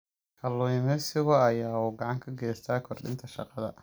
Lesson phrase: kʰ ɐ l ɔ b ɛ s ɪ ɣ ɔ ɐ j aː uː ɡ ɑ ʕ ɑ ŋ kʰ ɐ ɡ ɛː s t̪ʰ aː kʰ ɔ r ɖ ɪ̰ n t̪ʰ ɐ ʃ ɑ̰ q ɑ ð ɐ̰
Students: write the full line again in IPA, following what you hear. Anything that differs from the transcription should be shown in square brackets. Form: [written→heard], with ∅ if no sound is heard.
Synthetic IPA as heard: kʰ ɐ l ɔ [b→m] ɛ s ɪ ɣ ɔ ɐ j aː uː ɡ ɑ ʕ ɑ ŋ kʰ ɐ ɡ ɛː s t̪ʰ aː kʰ ɔ r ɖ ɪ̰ n t̪ʰ ɐ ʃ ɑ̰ q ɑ ð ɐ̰